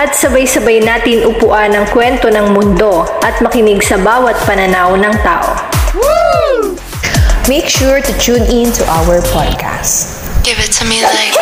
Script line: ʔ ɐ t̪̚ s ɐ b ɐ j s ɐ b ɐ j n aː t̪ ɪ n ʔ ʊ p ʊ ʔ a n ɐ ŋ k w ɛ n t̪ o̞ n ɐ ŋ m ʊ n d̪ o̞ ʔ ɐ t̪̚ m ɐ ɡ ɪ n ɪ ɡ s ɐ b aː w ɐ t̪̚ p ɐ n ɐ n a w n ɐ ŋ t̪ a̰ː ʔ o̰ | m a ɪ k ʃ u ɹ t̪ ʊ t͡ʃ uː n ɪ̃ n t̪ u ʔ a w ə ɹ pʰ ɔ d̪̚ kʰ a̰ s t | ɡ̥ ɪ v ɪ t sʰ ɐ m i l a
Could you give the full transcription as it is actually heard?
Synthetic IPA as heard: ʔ ɐ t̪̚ s ɐ b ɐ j s ɐ b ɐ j n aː t̪ ɪ n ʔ ʊ p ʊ ʔ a n ɐ ŋ k w ɛ n t̪ o̞ n ɐ ŋ m ʊ n d̪ o̞ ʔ ɐ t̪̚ m ɐ k ɪ n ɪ ɡ s ɐ b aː w ɐ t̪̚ p ɐ n ɐ n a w n ɐ ŋ t̪ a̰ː ʔ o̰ | m e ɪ k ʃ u ɹ t̪ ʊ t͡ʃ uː n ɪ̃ n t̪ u ʔ a w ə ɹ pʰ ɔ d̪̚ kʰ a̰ s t | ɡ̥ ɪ v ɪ t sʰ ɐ m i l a